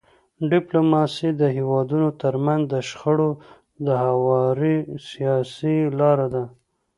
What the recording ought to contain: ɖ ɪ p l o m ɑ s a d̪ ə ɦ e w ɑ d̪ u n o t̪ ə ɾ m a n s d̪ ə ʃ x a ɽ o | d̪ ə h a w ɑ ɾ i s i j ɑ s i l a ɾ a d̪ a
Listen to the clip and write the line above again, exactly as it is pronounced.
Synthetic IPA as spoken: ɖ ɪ p l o m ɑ s i d̪ ə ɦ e w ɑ d̪ u n o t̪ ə ɾ m a n z d̪ ə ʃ x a ɽ o | d̪ ə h a w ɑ ɾ i s i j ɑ s i l ɑ ɾ a d̪ a